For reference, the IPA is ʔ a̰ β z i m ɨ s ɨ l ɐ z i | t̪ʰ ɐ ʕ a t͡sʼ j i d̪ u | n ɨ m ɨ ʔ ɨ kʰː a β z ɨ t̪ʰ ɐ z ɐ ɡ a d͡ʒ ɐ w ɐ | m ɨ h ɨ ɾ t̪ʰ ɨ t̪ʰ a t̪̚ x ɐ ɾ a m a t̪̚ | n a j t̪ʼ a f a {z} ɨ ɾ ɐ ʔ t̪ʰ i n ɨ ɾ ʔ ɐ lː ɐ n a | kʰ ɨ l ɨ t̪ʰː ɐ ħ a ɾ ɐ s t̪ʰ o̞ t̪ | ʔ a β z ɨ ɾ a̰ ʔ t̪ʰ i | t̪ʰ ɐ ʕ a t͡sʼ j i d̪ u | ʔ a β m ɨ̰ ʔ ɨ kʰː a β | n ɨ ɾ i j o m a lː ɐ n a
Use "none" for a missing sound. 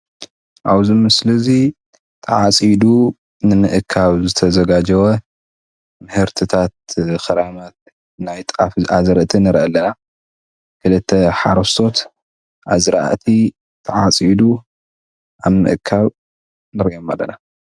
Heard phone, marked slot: z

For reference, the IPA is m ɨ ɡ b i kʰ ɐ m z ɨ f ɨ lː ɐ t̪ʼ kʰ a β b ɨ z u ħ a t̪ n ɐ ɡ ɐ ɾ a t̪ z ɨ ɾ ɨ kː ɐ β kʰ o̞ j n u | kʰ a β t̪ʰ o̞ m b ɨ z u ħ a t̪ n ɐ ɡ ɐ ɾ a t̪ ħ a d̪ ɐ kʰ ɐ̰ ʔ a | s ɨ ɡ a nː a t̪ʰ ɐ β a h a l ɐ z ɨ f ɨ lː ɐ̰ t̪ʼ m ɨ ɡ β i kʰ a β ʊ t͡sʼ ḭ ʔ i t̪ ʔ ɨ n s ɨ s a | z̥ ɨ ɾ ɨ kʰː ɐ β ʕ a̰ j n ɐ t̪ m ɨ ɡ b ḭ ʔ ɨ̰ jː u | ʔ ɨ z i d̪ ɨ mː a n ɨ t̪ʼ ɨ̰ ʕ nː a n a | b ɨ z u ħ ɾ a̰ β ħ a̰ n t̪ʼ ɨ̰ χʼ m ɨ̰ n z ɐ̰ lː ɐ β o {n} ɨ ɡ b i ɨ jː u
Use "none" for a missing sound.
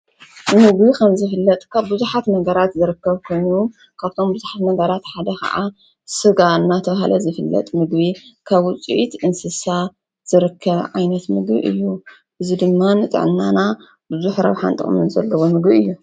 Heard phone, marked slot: m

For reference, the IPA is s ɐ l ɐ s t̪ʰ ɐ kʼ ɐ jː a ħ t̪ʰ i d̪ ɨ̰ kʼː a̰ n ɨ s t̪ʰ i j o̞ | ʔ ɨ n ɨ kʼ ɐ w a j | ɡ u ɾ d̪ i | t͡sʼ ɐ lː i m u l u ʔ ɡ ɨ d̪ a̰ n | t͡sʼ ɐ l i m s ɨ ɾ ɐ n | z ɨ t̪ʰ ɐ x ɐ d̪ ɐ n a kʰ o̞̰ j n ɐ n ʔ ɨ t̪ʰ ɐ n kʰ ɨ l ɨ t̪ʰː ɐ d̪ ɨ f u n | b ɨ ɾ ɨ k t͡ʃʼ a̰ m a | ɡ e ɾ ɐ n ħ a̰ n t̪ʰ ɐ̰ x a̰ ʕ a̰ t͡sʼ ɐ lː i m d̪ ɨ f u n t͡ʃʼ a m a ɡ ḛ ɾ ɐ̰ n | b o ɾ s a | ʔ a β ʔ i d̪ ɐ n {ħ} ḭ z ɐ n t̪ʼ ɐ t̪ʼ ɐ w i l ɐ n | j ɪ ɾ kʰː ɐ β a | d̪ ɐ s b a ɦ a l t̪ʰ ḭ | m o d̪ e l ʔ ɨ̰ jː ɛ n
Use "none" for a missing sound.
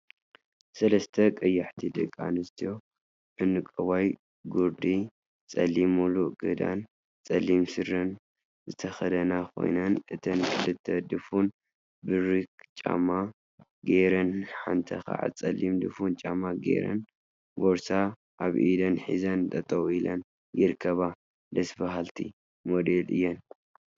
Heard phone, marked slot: ħ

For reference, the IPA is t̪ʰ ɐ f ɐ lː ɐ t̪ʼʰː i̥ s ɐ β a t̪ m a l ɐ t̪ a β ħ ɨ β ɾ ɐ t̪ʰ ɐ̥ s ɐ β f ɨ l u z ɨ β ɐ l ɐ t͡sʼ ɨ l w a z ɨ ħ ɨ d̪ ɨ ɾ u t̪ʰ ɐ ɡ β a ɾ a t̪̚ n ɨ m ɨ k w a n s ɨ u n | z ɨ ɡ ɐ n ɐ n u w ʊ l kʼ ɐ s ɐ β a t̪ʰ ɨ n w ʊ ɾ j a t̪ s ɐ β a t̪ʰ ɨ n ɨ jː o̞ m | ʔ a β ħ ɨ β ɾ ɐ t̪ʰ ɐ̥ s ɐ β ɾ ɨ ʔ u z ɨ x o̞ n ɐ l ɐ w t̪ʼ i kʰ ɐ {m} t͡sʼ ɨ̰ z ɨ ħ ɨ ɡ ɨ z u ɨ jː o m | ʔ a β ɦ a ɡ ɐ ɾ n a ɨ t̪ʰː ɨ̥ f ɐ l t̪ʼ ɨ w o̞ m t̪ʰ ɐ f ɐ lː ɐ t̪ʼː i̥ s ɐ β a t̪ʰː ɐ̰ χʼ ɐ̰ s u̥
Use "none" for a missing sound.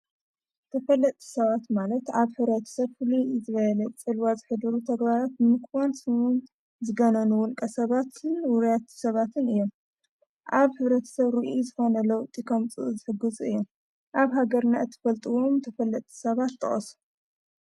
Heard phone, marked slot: m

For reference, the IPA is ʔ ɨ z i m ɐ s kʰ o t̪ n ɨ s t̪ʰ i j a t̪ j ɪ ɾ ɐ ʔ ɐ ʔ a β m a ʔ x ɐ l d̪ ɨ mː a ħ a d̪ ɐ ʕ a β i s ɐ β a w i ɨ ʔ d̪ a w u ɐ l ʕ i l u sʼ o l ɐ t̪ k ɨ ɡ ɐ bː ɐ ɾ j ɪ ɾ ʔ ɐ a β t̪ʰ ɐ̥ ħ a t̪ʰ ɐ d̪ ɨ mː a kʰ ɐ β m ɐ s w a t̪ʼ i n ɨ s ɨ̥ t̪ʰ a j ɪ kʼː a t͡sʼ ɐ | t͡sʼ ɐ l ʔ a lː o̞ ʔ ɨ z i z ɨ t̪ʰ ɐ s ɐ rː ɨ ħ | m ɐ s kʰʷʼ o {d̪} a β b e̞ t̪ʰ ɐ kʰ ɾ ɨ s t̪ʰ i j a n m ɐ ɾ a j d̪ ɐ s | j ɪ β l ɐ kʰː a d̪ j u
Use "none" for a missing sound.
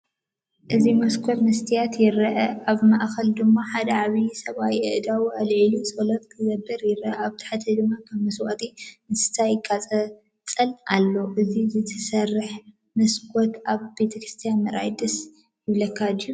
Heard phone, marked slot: t̪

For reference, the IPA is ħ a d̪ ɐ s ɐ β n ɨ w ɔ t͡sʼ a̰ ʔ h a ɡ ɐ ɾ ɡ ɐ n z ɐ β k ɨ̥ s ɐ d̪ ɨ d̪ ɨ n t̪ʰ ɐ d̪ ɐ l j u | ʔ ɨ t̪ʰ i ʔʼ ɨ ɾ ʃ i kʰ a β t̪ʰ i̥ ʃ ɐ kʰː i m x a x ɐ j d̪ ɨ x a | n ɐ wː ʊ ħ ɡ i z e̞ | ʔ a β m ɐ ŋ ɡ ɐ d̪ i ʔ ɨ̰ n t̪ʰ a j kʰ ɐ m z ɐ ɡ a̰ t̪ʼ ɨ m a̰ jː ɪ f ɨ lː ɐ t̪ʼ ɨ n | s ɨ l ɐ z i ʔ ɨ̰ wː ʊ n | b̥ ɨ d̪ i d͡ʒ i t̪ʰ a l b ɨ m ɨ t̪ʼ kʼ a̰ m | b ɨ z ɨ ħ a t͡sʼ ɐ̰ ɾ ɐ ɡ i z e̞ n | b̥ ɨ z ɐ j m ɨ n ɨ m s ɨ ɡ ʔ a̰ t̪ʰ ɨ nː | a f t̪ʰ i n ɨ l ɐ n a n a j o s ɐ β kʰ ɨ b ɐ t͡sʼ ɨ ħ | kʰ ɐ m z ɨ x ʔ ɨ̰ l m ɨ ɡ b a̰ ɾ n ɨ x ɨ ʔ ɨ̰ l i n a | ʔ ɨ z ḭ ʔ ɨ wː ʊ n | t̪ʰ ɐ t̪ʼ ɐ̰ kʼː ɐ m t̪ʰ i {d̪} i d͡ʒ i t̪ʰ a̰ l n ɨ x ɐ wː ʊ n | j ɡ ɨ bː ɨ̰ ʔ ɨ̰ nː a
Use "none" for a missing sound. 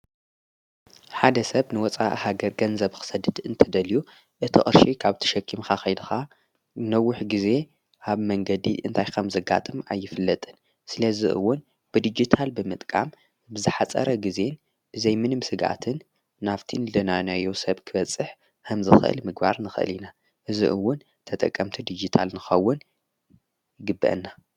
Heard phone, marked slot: d̪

